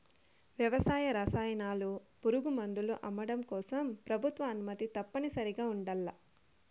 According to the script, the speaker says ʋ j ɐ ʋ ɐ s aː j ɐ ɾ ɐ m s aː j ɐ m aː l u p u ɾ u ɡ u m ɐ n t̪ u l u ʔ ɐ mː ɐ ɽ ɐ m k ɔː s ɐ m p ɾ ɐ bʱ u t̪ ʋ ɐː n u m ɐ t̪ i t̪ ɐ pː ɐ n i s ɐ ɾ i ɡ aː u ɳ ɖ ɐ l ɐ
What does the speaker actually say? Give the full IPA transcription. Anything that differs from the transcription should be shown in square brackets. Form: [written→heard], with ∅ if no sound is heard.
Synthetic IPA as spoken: ʋ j ɐ ʋ ɐ s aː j ɐ ɾ ɐ [m→∅] s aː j ɐ [m→n] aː l u p u ɾ u ɡ u m ɐ n [t̪→d̪] u l u ʔ ɐ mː ɐ ɽ ɐ m k ɔː s ɐ m p ɾ ɐ bʱ u t̪ ʋ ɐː n u m ɐ t̪ i t̪ ɐ pː ɐ n i s ɐ ɾ i ɡ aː u ɳ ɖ ɐ [l→lː] ɐ